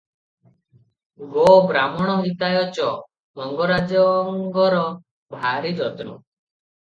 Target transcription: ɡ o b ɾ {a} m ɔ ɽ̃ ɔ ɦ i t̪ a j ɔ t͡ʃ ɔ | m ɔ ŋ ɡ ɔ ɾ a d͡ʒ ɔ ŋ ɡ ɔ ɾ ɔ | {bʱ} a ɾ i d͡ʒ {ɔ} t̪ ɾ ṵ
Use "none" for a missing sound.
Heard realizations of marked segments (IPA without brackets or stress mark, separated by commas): a, bʱ, ɔ